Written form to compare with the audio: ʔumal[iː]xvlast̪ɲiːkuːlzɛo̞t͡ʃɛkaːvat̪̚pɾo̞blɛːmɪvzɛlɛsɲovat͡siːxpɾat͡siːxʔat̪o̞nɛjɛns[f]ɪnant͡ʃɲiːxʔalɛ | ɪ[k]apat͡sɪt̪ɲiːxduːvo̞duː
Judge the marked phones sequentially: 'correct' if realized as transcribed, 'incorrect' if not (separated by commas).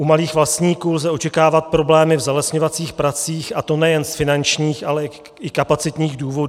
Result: correct, correct, correct